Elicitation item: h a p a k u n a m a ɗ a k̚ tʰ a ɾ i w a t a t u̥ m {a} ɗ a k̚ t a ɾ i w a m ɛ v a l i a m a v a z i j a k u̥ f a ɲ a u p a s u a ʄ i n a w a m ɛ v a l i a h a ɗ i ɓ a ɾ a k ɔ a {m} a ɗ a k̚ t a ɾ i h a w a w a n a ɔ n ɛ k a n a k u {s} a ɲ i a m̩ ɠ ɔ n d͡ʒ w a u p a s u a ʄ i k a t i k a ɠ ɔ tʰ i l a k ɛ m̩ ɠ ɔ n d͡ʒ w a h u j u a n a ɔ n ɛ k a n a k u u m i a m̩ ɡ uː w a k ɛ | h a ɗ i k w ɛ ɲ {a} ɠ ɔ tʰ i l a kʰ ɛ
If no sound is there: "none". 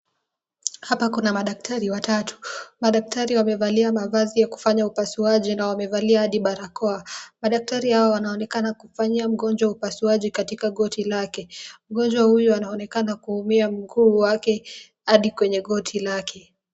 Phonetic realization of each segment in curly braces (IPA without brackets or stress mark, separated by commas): a, m, f, ɛ